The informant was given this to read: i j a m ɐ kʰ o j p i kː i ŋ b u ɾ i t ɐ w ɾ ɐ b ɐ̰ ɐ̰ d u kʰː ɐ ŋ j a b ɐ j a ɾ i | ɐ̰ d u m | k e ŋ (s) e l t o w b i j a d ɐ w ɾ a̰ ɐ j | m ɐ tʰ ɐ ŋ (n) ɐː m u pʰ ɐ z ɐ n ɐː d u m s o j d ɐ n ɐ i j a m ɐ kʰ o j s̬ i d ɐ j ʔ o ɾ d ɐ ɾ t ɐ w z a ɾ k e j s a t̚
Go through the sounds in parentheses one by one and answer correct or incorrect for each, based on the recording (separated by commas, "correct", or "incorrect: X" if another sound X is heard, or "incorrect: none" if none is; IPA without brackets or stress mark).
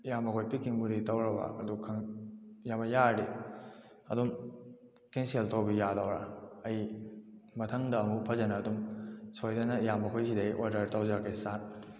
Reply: correct, incorrect: d